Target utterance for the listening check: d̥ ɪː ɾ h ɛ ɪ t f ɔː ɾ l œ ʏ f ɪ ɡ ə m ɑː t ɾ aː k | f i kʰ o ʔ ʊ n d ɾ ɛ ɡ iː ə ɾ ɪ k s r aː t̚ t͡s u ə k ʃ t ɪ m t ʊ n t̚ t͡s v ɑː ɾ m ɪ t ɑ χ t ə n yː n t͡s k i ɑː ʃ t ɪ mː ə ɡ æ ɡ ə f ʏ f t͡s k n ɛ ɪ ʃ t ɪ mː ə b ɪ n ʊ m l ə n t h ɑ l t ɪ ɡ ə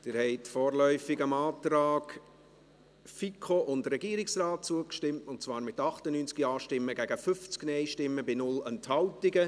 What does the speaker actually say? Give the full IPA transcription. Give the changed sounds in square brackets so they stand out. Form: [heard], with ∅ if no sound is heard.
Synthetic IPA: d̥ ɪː ɾ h ɛ ɪ t f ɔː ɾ l œ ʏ f ɪ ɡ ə m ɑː t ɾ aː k | f i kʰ o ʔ ʊ n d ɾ ɛ ɡ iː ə ɾ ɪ k s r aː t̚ t͡s u ə k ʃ t ɪ m t ʊ n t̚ t͡s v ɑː ɾ m ɪ t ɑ χ t ə n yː n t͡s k i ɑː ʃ t ɪ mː ə ɡ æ ɡ ə f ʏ f t͡s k n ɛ ɪ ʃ t ɪ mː ə b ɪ n ʊ [∅] l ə n t h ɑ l t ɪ ɡ ə